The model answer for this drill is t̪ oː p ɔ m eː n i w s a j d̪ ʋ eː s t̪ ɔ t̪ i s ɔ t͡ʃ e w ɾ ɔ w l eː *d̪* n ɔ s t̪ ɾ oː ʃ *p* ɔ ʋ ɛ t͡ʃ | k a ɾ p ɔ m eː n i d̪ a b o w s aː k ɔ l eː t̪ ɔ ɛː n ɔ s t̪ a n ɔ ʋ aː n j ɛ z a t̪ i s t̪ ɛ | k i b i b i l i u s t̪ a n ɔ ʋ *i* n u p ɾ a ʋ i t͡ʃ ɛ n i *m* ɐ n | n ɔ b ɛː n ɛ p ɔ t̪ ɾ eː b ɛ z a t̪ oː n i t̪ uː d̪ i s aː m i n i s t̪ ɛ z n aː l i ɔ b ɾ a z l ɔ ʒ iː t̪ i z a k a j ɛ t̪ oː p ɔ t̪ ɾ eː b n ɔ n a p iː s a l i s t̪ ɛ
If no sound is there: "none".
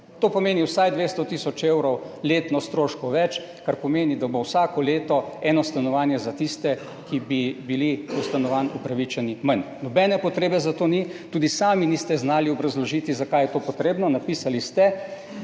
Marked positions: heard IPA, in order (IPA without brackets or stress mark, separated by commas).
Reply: t̪, k, a, m